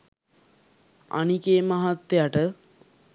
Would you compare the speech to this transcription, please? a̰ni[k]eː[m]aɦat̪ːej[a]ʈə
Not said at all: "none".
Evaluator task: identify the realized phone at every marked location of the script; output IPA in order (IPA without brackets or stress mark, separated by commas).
k, m, a